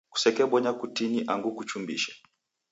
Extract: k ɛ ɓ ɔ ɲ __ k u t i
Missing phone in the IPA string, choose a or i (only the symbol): a